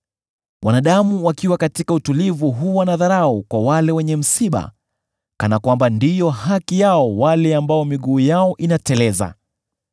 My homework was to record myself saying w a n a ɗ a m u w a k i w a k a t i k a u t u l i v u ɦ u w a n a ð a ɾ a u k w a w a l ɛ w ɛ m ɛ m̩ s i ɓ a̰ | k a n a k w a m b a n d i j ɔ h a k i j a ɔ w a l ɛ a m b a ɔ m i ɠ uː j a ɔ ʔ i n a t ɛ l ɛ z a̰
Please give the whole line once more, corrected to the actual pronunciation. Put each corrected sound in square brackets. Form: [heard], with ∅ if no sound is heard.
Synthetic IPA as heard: w a n a ɗ a m u w a k i w a k a t i k a u t u l i v u ɦ u w a n a ð a ɾ a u k w a w a l ɛ w ɛ [ɲ] ɛ m̩ s i ɓ a̰ | k a n a k w a m b a n d i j ɔ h a k i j a ɔ w a l ɛ a m b a ɔ m i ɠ uː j a ɔ ʔ i n a t ɛ l ɛ z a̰